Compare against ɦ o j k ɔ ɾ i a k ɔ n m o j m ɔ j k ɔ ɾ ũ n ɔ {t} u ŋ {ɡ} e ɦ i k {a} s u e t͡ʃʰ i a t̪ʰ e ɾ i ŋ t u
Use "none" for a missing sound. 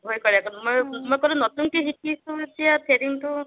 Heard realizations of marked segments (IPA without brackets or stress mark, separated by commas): t, k, i